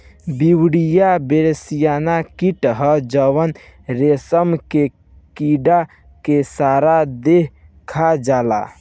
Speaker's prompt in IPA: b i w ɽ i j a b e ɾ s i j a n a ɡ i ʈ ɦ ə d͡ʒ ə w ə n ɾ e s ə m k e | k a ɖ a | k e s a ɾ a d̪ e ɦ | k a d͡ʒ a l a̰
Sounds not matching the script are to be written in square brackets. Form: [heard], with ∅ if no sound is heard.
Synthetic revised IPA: b i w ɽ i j a b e ɾ s i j a n a [k] i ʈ ɦ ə d͡ʒ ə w ə n ɾ e s ə m k e | k [i] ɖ a | k e s a ɾ a d̪ e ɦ | [kʰ] a d͡ʒ a l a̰